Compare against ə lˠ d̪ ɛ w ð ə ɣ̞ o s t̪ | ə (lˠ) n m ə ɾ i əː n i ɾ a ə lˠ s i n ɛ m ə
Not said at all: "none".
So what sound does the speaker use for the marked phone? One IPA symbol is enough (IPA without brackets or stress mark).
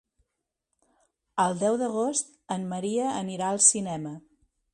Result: none